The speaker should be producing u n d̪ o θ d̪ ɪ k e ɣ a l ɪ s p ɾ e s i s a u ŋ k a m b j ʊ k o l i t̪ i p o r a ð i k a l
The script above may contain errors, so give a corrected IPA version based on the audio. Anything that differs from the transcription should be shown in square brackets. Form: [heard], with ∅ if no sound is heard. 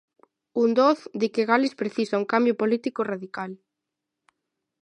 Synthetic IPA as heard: u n d̪ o θ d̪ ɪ k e ɣ a l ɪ s p ɾ e [θ] i s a u ŋ k a m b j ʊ [p] o l i t̪ i [k] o r a ð i k a l

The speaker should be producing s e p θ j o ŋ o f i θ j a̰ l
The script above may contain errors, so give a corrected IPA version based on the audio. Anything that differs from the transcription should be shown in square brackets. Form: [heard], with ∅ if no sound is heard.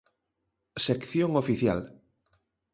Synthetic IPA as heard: s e [k] θ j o ŋ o f i θ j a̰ l

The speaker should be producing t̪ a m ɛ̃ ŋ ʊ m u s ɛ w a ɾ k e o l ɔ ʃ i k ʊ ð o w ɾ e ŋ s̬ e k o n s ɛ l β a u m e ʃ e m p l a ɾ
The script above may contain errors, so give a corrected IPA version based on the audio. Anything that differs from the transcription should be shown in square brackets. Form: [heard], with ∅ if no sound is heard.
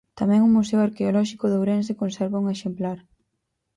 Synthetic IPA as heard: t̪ a m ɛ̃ ŋ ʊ m u s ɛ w a ɾ k e o l ɔ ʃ i k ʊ ð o w ɾ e [n] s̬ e k o n s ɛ [ɾ] β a u [ŋ] e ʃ e m p l a ɾ

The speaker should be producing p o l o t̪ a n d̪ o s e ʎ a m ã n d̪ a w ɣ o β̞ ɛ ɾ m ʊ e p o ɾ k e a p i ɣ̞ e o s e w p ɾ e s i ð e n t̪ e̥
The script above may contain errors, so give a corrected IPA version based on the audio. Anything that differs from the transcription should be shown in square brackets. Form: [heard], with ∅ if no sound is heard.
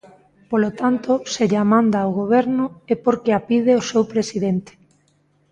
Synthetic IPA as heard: p o l o t̪ a n [t̪] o s e ʎ a m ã n d̪ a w ɣ o β̞ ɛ ɾ [n] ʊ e p o ɾ k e a p i [ð̞] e o s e w p ɾ e s i ð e n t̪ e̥

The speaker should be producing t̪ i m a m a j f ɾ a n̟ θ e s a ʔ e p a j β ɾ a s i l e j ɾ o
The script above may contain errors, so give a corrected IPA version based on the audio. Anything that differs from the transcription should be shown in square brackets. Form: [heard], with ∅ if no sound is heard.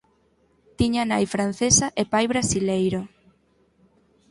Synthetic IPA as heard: t̪ i [ɲ] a [n] a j f ɾ a n̟ θ e s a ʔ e p a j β ɾ a s i l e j ɾ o

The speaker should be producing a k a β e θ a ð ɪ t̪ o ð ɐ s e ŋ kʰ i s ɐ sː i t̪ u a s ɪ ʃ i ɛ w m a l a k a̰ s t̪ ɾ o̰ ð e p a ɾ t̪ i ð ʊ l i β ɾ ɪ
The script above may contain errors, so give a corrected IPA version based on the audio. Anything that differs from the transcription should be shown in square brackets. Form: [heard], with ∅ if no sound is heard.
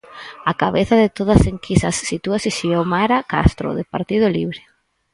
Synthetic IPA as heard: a k a β e θ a ð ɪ t̪ o ð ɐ s e ŋ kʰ i s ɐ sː i t̪ u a s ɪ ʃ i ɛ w m a [ɾ] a k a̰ s t̪ ɾ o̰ ð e p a ɾ t̪ i ð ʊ l i β ɾ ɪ

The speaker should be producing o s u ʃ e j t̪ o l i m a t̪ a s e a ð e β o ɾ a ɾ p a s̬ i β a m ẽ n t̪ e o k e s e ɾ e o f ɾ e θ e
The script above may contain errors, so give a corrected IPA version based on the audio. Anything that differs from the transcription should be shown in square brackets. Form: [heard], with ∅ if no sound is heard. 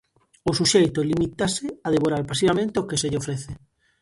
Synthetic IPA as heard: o s u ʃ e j t̪ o l i m [i] t̪ a s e a ð e β o ɾ a ɾ p a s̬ i β a m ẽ n t̪ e o k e s e [ʎ] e o f ɾ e θ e

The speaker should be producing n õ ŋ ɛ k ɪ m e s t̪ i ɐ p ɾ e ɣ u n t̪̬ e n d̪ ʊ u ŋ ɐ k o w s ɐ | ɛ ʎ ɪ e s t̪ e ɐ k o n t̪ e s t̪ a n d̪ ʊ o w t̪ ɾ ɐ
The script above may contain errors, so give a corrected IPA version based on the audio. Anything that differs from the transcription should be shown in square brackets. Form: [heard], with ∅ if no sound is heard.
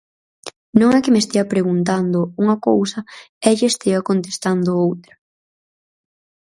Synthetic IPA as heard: n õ ŋ ɛ k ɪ m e s t̪ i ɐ p ɾ e ɣ u n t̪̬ [a] n d̪ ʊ u ŋ ɐ k o w s ɐ | ɛ ʎ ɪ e s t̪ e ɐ k o n t̪ e s t̪ a n d̪ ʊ o w t̪ ɾ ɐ

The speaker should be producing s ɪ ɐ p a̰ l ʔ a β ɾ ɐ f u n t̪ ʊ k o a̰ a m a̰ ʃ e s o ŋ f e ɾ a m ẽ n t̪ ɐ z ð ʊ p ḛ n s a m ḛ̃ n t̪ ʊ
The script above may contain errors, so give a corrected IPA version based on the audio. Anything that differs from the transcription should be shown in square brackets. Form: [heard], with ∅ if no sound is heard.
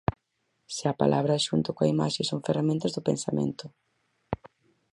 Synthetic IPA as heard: s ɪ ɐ p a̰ l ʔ a β ɾ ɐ [ʃ] u n t̪ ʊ k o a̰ [i] m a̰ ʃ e s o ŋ f e [r] a m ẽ n t̪ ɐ z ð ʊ p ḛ n s a m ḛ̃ n t̪ ʊ

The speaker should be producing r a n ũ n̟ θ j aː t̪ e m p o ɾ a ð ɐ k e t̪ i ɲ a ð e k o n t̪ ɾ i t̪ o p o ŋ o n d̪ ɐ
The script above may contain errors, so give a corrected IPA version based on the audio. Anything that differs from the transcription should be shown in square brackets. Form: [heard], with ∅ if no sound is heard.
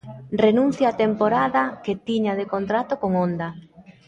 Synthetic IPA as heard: r [e] n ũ n̟ θ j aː t̪ e m p o ɾ a ð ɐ k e t̪ i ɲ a ð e k o n t̪ ɾ [a] t̪ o [k] o ŋ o n d̪ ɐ

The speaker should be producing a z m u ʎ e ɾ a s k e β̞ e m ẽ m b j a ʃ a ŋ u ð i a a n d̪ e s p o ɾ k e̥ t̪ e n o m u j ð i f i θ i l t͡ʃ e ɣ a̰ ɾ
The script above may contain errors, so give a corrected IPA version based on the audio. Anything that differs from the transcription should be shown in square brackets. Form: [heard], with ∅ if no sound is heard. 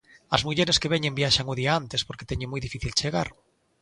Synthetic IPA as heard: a z m u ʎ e ɾ [e] s k e β̞ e [ɲ] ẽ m b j a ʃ a ŋ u ð i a a n [t̪] e s p o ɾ k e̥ t̪ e [ɲ] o m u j ð i f i θ i l t͡ʃ e ɣ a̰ ɾ

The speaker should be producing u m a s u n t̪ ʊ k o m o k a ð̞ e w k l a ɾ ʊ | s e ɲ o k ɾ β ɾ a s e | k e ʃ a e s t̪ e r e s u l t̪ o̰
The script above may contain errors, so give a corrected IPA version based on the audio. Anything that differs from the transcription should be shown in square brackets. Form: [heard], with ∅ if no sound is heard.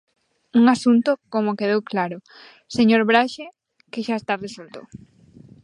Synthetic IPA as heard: u [ŋ] a s u n t̪ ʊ k o m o k [e] ð̞ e w k l a ɾ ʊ | s e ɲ o [∅] ɾ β ɾ a [ʃ] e | k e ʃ a e s t̪ [a] r e s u l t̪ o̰

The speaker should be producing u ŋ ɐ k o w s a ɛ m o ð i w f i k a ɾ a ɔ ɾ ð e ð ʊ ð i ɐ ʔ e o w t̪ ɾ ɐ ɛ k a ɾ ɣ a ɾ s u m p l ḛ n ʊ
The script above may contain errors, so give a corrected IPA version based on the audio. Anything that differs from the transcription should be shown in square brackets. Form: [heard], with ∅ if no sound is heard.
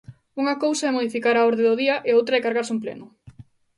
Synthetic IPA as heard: u ŋ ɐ k o w s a ɛ m o ð i [∅] f i k a ɾ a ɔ ɾ ð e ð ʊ ð i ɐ ʔ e o w t̪ ɾ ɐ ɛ k a ɾ ɣ a ɾ s u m p l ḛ n ʊ

